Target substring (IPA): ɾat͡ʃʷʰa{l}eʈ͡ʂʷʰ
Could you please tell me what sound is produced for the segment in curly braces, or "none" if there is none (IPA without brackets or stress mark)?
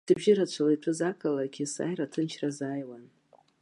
l